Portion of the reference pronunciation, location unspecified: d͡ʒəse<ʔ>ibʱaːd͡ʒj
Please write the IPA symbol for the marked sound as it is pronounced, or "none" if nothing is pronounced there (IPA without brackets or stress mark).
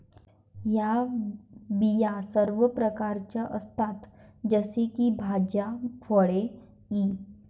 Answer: k